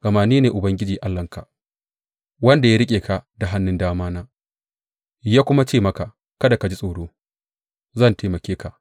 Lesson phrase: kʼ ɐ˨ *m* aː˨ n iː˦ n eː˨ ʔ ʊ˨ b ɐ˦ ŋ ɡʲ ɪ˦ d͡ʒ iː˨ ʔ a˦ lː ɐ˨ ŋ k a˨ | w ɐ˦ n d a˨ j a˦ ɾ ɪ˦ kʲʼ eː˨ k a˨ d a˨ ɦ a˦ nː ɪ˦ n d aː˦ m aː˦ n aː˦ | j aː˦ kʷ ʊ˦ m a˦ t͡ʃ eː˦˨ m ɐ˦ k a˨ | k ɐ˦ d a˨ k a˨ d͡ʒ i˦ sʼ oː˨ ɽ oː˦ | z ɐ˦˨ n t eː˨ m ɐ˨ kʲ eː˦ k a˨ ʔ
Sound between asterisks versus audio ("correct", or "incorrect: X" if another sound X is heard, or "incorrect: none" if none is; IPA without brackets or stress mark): correct